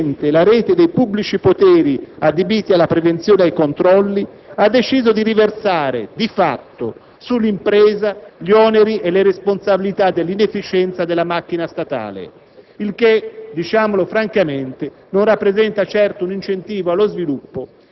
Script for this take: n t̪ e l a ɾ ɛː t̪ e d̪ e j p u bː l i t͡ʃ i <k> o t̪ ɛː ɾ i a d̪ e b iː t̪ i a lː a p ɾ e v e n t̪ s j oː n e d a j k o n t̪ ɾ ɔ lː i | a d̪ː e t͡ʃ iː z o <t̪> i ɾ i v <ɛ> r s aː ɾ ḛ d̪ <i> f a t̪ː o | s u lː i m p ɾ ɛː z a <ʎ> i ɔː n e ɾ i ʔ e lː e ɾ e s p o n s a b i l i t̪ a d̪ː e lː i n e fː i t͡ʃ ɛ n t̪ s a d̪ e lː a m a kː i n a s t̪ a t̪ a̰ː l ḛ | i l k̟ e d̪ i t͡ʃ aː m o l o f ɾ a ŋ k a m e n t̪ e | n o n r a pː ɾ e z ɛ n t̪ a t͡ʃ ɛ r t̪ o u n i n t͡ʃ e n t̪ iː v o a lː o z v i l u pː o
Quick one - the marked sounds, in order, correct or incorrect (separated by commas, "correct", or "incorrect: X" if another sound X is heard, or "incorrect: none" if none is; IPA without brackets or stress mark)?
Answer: incorrect: p, incorrect: d̪, incorrect: e, correct, correct